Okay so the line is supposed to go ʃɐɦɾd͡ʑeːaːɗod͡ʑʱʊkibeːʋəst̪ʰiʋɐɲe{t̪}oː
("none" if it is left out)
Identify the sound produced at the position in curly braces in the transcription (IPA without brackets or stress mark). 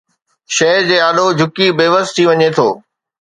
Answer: t̪ʰ